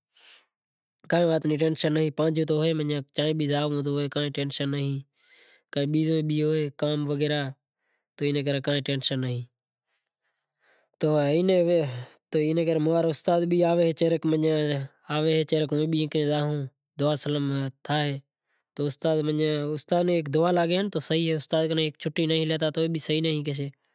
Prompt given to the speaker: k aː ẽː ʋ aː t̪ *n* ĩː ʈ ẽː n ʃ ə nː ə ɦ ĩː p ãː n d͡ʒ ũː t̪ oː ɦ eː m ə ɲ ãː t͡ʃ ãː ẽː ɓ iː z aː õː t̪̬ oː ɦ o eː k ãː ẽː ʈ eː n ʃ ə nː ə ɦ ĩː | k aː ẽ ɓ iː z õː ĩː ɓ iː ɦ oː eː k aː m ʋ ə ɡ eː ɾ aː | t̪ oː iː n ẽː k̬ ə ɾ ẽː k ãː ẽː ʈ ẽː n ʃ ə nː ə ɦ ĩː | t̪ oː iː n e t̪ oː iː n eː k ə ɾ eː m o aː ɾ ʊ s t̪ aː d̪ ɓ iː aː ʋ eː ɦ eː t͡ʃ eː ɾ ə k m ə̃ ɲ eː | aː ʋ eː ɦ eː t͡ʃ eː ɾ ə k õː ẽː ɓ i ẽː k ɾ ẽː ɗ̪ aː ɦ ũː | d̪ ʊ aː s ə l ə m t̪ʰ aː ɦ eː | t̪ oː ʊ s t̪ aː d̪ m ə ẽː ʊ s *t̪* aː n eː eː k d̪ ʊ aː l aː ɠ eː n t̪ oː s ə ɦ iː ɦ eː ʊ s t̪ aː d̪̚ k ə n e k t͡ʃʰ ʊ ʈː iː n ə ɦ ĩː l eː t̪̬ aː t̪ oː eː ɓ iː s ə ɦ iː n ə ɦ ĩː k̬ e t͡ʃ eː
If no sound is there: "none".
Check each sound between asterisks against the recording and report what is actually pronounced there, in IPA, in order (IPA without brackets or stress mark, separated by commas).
n, t̪